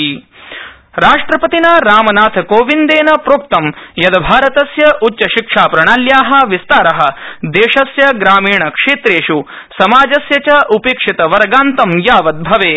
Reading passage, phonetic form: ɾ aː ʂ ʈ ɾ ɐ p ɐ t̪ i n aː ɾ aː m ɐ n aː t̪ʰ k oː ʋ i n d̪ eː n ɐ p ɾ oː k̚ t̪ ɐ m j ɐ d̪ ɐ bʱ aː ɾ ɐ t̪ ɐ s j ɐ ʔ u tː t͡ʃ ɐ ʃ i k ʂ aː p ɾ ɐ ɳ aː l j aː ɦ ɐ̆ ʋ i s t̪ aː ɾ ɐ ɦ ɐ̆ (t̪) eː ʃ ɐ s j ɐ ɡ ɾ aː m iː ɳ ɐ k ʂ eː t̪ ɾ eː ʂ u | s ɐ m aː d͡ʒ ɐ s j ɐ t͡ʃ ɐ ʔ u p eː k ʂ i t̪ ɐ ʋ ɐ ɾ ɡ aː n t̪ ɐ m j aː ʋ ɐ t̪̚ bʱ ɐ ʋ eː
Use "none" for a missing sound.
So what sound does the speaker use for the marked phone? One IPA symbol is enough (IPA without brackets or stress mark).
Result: d̪